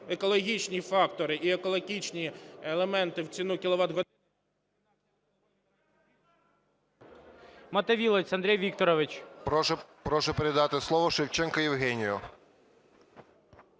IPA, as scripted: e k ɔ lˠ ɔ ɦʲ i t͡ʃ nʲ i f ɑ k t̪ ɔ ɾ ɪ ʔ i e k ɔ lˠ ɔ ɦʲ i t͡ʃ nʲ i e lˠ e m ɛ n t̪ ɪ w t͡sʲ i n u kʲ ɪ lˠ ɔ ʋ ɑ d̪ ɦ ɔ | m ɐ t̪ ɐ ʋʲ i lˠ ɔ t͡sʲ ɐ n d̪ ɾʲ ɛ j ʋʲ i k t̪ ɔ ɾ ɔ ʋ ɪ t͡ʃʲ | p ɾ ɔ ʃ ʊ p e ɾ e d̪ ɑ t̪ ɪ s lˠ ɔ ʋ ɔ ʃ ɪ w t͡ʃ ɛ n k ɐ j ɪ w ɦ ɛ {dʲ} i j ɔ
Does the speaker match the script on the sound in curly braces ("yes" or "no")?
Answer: no